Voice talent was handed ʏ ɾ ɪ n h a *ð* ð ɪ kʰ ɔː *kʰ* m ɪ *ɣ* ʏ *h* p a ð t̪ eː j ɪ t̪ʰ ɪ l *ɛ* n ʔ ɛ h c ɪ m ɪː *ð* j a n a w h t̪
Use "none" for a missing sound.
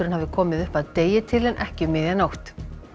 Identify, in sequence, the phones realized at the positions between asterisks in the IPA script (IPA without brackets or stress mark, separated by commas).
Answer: v, none, ð, h, ɛ, ð